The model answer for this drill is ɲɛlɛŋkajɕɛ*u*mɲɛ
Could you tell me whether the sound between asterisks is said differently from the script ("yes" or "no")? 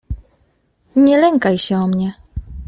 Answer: yes